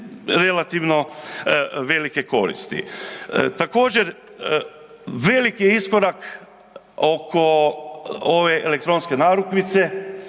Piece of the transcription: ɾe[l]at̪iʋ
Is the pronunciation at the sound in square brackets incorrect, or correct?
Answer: correct